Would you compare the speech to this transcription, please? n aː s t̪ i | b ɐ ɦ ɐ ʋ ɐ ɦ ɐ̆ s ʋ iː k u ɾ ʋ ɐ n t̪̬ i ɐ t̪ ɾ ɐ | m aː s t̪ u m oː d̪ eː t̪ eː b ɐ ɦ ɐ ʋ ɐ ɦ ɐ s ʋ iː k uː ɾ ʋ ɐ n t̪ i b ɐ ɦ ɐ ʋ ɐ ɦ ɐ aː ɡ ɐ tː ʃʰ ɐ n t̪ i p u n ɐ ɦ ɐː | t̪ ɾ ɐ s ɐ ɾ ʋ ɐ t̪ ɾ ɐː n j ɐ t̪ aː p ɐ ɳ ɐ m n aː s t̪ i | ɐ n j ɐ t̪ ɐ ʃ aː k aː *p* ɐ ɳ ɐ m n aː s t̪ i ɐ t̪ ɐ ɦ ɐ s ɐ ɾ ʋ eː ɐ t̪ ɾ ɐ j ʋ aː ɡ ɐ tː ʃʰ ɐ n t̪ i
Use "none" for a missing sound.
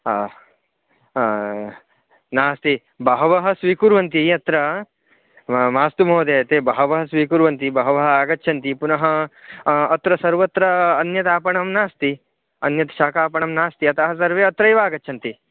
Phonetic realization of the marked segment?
p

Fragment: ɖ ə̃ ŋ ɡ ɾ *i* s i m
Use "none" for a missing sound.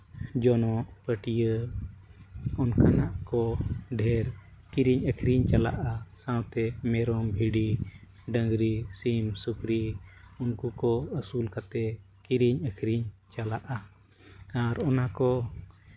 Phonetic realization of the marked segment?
i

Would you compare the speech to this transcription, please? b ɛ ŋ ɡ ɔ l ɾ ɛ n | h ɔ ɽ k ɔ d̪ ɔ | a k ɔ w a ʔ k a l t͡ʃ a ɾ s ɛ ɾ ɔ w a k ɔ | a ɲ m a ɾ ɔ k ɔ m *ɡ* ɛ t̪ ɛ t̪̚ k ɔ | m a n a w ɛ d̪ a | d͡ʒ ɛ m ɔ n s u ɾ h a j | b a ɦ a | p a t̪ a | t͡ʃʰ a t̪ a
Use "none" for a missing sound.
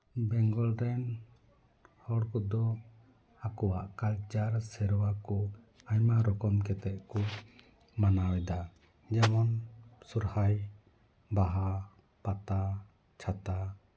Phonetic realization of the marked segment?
k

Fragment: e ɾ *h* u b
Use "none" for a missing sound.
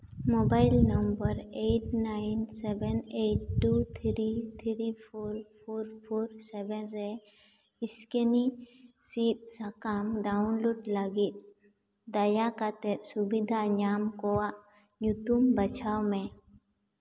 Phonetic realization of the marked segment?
s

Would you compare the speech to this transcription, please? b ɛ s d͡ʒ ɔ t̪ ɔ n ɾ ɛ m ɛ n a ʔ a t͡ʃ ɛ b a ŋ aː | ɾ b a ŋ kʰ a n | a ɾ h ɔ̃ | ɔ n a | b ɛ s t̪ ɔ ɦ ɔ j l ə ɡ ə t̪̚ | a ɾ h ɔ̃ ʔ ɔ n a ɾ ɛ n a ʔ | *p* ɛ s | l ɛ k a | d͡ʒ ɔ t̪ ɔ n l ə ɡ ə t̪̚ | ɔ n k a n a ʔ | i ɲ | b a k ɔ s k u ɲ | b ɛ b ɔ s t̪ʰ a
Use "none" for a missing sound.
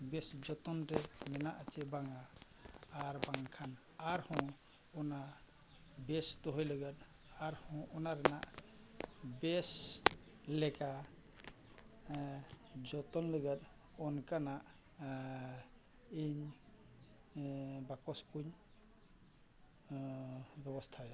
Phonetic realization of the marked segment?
b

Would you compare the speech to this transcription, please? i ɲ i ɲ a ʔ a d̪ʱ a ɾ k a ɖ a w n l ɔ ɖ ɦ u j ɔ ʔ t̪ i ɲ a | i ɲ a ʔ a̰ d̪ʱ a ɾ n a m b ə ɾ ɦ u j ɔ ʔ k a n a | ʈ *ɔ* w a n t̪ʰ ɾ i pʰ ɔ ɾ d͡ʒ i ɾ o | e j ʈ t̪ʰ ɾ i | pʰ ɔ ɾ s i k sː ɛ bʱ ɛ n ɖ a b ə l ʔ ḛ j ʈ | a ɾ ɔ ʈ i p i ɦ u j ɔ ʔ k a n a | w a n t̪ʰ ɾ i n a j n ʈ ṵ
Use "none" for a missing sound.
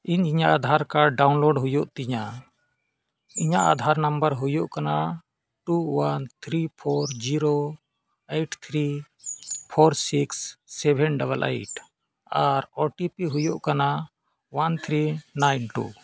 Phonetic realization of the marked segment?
u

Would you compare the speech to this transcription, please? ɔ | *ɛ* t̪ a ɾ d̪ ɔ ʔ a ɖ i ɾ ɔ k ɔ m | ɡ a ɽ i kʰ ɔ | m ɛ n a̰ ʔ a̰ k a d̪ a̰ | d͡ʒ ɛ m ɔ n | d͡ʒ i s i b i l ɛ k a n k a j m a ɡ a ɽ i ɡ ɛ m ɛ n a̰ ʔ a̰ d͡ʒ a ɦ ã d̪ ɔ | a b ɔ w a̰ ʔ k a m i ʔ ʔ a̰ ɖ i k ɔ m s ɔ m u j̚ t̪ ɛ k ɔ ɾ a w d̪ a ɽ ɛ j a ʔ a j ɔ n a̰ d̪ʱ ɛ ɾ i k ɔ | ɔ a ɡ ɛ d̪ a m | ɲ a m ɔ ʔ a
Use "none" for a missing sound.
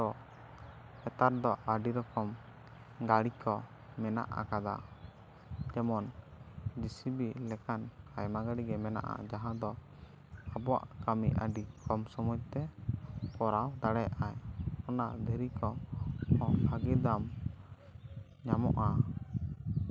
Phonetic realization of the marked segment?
ɛ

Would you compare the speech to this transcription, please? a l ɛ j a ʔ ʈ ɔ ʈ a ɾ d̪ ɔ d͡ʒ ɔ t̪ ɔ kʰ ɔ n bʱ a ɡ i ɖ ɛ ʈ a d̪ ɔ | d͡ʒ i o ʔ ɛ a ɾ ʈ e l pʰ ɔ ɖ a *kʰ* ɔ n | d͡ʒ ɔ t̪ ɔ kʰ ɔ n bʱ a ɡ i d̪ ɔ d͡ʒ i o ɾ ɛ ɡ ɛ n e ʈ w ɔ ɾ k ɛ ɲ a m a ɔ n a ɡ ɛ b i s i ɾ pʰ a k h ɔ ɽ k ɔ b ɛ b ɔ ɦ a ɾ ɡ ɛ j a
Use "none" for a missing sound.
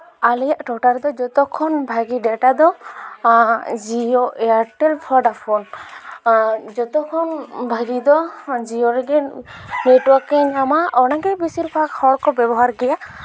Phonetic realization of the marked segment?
pʰ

